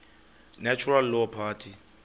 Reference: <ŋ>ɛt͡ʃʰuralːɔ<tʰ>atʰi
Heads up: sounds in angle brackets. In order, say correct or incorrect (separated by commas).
incorrect, incorrect